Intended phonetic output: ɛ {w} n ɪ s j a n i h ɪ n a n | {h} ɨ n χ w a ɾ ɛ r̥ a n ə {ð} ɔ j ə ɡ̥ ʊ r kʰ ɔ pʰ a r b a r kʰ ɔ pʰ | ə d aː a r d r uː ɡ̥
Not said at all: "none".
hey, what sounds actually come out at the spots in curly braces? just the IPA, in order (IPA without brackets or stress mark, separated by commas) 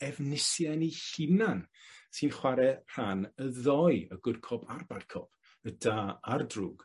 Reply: v, s, ð